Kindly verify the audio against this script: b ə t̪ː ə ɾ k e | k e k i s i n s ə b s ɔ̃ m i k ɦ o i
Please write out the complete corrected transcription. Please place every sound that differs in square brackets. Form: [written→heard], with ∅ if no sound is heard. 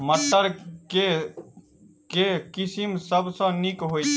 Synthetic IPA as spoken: [b→m] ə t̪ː ə ɾ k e | k e k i s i [n→m] s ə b s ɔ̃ [m→n] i k ɦ o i